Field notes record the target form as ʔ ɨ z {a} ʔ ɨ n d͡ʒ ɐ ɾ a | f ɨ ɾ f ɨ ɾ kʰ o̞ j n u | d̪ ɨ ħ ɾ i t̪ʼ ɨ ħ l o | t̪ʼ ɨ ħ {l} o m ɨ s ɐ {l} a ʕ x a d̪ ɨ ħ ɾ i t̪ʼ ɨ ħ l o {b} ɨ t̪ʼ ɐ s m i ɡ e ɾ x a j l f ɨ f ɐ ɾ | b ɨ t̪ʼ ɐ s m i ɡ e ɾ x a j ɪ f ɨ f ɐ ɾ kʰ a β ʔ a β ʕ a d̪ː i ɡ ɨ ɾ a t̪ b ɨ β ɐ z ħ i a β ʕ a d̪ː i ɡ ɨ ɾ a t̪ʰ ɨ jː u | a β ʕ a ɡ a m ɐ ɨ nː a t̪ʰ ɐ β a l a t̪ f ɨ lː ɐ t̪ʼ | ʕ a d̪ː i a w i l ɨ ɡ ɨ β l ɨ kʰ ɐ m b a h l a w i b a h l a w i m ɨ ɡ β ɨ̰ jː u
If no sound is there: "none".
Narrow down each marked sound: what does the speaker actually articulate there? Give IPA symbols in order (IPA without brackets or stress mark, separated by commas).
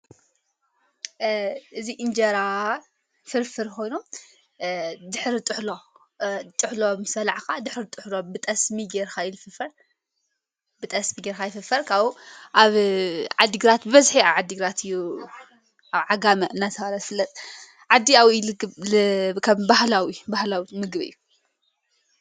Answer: i, l, l, b